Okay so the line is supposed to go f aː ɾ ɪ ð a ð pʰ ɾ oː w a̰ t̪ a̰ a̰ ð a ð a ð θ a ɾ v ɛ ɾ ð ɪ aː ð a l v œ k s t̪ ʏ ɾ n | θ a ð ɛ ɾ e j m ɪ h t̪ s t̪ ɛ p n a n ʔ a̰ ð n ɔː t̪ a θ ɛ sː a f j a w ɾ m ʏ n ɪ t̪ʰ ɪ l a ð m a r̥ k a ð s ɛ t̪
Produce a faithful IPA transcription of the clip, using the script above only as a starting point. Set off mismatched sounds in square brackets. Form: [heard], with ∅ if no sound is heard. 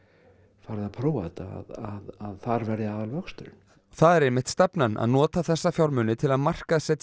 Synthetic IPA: f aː ɾ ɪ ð a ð pʰ ɾ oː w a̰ t̪ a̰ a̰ ð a ð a ð θ a ɾ v ɛ ɾ ð ɪ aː ð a l v œ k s t̪ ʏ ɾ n | θ a ð ɛ ɾ e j m ɪ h t̪ s t̪ ɛ p n a n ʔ a̰ ð n ɔː t̪ a θ ɛ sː a f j a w ɾ m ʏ n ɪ t̪ʰ ɪ l a ð m a r̥ k a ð s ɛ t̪